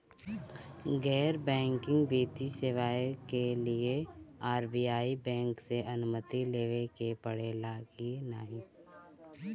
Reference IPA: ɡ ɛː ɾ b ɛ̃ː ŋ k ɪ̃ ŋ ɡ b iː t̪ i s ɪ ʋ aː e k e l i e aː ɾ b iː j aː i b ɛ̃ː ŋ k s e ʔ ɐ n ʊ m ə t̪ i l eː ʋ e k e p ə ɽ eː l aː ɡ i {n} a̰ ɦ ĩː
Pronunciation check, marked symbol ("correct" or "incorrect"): correct